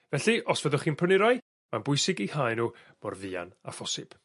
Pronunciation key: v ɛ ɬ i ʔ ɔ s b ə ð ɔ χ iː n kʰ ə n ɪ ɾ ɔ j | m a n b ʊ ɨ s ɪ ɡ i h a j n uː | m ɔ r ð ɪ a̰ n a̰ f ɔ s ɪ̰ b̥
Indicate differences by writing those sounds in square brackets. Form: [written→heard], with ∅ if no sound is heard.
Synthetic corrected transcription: v ɛ ɬ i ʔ ɔ s [b→v] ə ð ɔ χ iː n [kʰ→pʰ] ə n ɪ ɾ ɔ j | m a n b ʊ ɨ s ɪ ɡ i h a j n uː | m ɔ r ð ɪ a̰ n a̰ f ɔ s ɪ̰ b̥